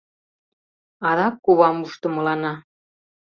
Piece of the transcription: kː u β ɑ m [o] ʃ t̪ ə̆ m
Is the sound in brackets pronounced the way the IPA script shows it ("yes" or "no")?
no